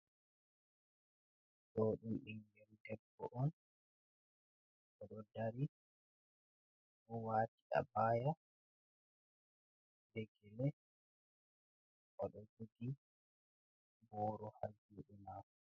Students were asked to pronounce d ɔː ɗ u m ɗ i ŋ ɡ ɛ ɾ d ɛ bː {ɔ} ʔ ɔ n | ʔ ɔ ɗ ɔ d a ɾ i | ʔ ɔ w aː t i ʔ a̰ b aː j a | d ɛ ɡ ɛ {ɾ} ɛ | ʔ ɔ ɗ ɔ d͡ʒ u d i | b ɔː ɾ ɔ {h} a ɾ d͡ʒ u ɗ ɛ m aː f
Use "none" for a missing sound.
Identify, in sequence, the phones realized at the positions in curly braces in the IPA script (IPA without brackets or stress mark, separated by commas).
ɔ, l, h